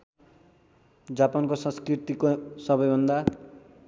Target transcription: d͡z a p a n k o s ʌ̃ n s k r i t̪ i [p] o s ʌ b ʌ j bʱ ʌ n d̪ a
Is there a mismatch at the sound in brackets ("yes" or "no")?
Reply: yes